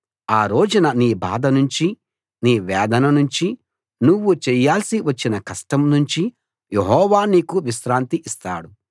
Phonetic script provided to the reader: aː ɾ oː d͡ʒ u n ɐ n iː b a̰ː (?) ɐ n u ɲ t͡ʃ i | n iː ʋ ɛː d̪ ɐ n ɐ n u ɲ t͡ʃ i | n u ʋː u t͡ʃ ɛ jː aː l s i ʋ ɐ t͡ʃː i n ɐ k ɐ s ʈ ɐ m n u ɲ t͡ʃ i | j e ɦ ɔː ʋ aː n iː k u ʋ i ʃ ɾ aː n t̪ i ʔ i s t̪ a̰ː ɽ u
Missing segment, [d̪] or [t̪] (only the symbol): d̪